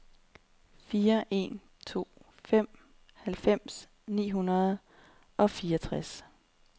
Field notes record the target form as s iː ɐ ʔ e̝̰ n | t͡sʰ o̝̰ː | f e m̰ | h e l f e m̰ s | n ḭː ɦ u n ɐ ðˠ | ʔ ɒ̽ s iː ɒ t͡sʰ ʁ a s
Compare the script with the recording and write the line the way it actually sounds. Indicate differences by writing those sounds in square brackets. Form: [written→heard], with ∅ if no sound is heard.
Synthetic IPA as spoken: [s→f] iː ɐ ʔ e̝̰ n | t͡sʰ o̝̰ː | f e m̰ | h [e→æ] l f e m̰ s | n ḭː ɦ u n ɐ ðˠ | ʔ ɒ̽ [s→f] iː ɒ t͡sʰ ʁ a s